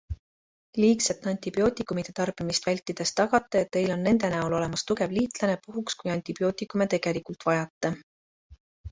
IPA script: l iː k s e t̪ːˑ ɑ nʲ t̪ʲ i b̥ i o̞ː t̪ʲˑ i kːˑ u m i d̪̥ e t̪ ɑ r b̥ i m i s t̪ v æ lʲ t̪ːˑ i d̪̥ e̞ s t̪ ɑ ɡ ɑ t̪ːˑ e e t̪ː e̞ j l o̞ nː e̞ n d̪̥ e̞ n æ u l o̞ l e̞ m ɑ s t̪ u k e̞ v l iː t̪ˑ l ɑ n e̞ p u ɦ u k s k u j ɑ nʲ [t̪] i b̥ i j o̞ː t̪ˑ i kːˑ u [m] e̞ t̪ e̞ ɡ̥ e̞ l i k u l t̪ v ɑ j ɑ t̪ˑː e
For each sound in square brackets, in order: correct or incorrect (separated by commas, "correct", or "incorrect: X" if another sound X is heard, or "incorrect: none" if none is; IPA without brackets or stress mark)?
correct, correct